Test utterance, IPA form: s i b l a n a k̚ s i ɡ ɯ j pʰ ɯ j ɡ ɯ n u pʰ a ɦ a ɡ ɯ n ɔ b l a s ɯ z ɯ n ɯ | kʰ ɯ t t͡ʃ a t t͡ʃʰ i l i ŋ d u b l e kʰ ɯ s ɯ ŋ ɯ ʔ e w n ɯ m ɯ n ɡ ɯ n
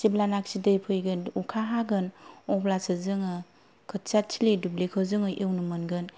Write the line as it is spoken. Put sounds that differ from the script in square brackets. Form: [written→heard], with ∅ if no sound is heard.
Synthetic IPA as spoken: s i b l a n a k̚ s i [ɡ→d] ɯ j pʰ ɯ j ɡ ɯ n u [pʰ→kʰ] a ɦ a ɡ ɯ n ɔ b l a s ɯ z ɯ [n→ŋ] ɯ | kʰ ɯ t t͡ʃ a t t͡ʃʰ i l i [ŋ→∅] d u b l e kʰ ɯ [s→z] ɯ ŋ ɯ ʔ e w n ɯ m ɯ n ɡ ɯ n